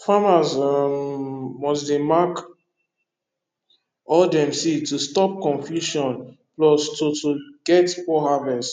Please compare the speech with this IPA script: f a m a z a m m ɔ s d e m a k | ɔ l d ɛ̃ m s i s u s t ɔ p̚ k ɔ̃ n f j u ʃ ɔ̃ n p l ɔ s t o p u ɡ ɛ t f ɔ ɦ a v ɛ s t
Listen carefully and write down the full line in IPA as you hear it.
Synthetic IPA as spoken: f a m a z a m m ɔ s d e m a k | ɔ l d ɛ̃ m s i t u s t ɔ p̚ k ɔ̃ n f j u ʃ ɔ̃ n p l ɔ s t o t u ɡ ɛ t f ɔ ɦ a v ɛ s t